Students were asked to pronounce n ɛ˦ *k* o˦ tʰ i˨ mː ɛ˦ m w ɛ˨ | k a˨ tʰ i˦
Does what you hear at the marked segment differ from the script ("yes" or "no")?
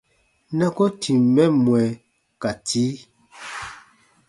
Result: no